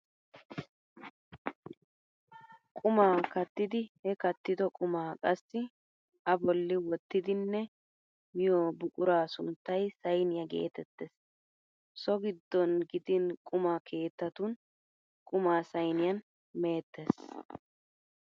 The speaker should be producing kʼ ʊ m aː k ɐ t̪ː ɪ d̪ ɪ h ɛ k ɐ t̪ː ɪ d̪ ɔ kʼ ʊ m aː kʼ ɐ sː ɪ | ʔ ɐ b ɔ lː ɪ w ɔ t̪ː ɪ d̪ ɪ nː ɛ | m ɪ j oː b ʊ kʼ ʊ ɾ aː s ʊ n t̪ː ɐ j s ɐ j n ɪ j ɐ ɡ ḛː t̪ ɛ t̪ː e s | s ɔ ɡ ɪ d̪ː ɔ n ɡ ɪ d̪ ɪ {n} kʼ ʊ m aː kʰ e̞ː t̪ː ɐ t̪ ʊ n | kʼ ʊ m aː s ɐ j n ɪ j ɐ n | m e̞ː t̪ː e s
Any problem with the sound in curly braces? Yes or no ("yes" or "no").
no